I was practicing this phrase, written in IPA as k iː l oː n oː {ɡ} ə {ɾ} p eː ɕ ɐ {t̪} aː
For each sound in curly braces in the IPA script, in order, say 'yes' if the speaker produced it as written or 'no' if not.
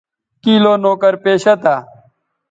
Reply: no, yes, yes

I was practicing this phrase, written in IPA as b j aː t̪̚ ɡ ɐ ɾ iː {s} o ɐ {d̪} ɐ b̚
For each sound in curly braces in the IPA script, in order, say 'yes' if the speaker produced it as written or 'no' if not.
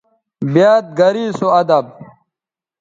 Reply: yes, yes

